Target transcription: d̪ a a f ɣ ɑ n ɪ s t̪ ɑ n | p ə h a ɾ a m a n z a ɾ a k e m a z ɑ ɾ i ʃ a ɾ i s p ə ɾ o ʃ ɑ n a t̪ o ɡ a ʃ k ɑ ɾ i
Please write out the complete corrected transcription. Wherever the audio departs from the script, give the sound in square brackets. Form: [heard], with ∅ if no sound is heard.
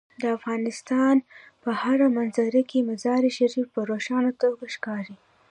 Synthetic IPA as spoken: d̪ [ə] a f ɣ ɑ n ɪ s t̪ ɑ n | p ə h a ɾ a m a n z a ɾ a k e m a z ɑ ɾ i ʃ a ɾ i [f] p ə ɾ o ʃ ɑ n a t̪ o ɡ a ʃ k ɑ ɾ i